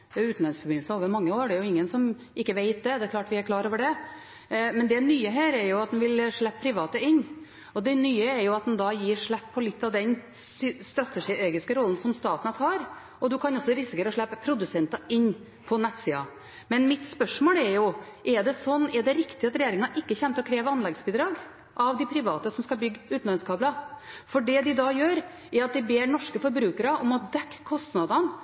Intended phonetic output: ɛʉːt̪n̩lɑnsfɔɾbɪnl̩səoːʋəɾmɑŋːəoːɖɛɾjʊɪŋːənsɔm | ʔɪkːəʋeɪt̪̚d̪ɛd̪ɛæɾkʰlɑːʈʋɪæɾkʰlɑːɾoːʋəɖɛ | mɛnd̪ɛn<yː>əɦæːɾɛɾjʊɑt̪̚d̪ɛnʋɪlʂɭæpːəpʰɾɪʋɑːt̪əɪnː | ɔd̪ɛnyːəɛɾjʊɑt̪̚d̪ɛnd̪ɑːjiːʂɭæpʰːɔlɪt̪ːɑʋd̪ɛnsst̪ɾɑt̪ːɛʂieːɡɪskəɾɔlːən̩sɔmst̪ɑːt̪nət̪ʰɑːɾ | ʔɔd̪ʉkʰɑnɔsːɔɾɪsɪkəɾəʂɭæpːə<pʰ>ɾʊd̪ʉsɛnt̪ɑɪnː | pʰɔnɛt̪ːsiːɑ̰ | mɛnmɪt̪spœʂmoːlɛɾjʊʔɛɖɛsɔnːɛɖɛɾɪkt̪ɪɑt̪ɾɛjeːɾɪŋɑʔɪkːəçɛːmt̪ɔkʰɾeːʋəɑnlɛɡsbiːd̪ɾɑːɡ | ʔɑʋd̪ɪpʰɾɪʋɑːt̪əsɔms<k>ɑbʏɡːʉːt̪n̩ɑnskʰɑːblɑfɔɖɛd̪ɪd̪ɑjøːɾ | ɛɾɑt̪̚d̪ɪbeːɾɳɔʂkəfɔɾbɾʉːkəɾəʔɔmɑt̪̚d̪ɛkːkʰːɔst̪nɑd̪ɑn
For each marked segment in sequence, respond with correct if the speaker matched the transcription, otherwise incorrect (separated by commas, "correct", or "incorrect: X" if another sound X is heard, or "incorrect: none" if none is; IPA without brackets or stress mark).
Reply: correct, correct, correct